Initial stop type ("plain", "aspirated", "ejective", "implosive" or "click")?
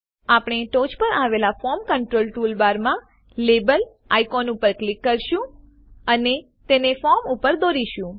plain